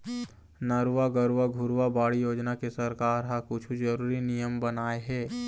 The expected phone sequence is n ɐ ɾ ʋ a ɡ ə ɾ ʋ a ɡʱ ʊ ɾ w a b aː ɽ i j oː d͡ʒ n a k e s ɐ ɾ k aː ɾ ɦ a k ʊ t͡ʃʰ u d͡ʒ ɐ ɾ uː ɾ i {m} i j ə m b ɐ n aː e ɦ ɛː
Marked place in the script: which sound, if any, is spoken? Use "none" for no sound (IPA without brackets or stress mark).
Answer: n